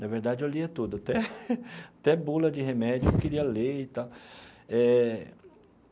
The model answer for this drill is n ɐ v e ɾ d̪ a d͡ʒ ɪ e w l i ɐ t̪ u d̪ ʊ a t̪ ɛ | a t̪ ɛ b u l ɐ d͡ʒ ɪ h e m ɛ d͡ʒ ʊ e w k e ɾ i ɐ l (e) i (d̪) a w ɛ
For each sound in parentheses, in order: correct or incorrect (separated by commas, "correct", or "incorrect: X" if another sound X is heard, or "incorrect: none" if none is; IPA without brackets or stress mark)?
correct, incorrect: t̪